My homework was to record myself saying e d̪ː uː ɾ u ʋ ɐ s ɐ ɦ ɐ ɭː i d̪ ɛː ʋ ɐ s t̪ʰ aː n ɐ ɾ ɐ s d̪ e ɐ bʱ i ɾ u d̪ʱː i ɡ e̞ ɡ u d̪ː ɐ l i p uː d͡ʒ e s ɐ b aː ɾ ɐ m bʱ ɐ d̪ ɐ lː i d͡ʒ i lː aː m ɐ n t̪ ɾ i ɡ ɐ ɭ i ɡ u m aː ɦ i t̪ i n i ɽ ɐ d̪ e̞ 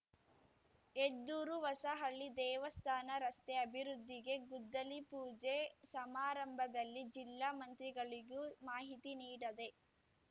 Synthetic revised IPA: e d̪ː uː ɾ u ʋ ɐ s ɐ ɦ ɐ ɭː i d̪ ɛː ʋ ɐ s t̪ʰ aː n ɐ ɾ ɐ s t̪ e ɐ bʱ i ɾ u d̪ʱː i ɡ e̞ ɡ u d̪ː ɐ l i p uː d͡ʒ e s ɐ m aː ɾ ɐ m bʱ ɐ d̪ ɐ lː i d͡ʒ i lː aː m ɐ n t̪ ɾ i ɡ ɐ ɭ i ɡ u m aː ɦ i t̪ i n iː ɽ ɐ d̪ e̞